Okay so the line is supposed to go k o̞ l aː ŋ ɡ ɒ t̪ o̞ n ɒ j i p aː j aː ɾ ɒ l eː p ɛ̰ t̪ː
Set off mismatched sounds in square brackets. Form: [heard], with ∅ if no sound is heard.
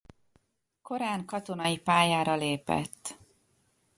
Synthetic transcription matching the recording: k o̞ [ɾ] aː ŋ [k] ɒ t̪ o̞ n ɒ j i p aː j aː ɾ ɒ l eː p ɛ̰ t̪ː